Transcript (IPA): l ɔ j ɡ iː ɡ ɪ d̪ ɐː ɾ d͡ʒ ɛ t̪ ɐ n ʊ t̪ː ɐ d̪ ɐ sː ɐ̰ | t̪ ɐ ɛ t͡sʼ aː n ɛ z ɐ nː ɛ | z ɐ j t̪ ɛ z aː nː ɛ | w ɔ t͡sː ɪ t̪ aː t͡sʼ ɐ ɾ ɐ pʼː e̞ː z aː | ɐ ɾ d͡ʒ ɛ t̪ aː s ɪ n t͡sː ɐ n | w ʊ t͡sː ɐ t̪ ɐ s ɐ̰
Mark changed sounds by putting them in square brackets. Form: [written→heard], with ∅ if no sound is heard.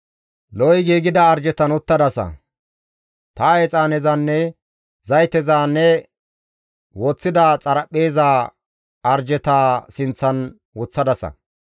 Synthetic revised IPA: l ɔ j ɡ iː ɡ ɪ d̪ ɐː ɾ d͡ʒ ɛ t̪ ɐ n ʊ t̪ː ɐ d̪ ɐ [sː→s] ɐ̰ | t̪ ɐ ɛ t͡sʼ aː n ɛ z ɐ nː ɛ | z ɐ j t̪ ɛ z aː nː ɛ | w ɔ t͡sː ɪ [t̪→d̪] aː t͡sʼ ɐ ɾ ɐ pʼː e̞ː z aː | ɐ ɾ d͡ʒ ɛ t̪ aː s ɪ n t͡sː ɐ n | w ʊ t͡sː ɐ [t̪→d̪] ɐ s ɐ̰